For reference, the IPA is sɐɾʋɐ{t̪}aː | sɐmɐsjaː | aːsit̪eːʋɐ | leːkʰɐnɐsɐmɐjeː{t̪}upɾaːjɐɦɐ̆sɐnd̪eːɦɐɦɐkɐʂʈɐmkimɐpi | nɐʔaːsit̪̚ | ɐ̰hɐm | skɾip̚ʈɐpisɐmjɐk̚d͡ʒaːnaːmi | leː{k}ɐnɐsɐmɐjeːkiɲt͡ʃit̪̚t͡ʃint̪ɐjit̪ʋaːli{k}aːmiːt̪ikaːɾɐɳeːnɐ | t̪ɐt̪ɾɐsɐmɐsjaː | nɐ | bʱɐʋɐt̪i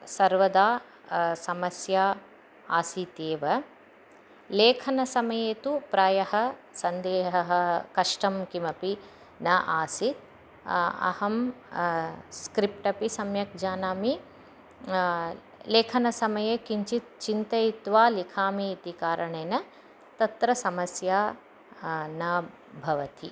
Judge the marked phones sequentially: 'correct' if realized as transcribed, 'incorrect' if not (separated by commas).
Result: incorrect, correct, incorrect, incorrect